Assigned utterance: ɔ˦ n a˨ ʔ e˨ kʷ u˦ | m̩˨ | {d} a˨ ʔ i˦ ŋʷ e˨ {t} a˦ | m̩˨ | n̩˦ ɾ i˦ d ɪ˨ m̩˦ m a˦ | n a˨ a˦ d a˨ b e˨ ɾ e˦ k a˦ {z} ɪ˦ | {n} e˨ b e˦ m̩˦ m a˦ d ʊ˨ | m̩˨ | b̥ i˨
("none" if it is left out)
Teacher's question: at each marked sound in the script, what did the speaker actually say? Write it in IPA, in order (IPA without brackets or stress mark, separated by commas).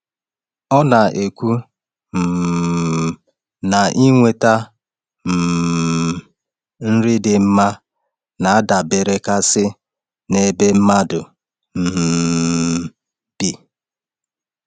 n, t, s, n